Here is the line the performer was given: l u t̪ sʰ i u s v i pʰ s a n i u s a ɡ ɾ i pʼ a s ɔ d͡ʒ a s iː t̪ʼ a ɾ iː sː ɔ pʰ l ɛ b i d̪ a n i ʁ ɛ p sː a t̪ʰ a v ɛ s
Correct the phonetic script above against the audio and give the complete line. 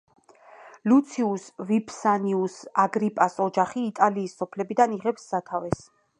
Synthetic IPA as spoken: l u t̪ sʰ i u s v i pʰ s a n i u s a ɡ ɾ i pʼ a s ɔ d͡ʒ a χ iː t̪ʼ a l iː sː ɔ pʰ l ɛ b i d̪ a n i ʁ ɛ p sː a t̪ʰ a v ɛ s